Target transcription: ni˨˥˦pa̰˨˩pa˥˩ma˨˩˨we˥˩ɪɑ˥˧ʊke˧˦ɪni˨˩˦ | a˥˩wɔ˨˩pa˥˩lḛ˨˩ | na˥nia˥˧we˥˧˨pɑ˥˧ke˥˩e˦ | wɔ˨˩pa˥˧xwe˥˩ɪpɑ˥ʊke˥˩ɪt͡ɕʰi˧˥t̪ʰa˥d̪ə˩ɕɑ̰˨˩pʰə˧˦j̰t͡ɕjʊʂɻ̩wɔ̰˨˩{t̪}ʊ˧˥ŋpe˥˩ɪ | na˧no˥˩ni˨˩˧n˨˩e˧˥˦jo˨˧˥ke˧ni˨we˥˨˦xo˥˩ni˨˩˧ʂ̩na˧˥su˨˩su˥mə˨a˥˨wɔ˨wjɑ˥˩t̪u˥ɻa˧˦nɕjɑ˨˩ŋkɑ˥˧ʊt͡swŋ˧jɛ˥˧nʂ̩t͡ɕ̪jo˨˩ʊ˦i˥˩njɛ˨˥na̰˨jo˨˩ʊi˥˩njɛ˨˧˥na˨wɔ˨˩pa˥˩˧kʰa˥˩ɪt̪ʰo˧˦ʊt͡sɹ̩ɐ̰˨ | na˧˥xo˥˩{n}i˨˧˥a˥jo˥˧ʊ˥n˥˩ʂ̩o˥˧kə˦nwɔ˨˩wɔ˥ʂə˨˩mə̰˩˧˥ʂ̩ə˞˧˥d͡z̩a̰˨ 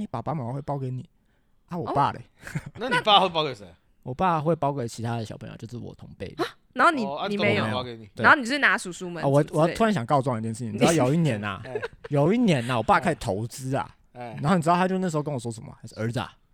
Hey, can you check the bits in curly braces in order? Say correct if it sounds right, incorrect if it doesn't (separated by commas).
incorrect, correct